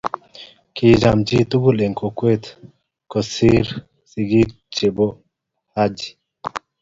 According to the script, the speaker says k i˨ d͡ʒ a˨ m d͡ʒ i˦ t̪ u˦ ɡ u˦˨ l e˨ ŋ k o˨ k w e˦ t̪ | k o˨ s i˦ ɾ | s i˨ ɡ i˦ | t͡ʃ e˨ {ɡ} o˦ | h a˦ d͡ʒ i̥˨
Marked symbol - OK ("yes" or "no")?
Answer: no